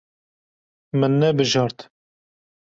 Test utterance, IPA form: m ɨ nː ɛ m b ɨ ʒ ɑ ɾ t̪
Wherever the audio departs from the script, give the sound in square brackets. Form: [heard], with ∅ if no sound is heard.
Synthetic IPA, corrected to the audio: m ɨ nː ɛ [∅] b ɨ ʒ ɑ ɾ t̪